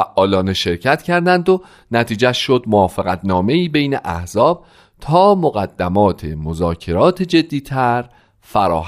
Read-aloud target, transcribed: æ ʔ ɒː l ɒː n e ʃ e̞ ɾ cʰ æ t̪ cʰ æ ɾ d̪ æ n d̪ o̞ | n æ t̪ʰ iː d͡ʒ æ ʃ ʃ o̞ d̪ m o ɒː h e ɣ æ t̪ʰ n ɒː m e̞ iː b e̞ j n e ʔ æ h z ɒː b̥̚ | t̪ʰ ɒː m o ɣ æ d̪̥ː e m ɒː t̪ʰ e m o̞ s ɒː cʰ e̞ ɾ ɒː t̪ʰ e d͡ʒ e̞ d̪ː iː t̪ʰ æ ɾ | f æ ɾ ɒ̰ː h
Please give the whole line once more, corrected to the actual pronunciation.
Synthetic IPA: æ ʔ ɒː l ɒː n e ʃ e̞ ɾ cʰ æ t̪ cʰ æ ɾ d̪ æ n d̪ o̞ | n æ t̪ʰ iː d͡ʒ æ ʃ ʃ o̞ d̪ m o ɒː f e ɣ æ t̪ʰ n ɒː m e̞ iː b e̞ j n e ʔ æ h z ɒː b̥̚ | t̪ʰ ɒː m o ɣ æ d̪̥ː æ m ɒː t̪ʰ e m o̞ z ɒː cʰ e̞ ɾ ɒː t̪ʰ e d͡ʒ e̞ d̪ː iː t̪ʰ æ ɾ | f æ ɾ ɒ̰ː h